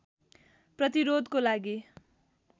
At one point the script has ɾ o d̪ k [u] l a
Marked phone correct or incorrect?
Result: incorrect